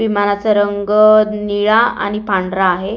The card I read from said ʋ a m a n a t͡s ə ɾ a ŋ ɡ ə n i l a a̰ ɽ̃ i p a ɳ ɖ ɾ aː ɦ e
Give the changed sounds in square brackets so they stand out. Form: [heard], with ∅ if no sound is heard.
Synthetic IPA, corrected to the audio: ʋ [i] m a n a t͡s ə ɾ [ə] ŋ ɡ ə n i [ɭ] a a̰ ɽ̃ i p a ɳ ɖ ɾ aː ɦ e